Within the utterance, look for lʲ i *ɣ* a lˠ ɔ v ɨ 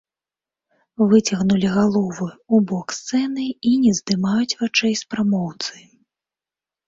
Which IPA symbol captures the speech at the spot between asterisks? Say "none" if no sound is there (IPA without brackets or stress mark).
ɣ